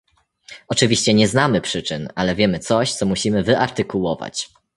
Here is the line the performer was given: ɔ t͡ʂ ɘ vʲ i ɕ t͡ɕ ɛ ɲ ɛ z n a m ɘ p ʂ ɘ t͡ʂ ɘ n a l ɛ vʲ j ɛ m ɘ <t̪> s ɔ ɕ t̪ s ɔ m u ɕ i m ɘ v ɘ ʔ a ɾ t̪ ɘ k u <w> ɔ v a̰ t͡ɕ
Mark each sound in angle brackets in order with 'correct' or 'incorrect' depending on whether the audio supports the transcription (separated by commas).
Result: correct, correct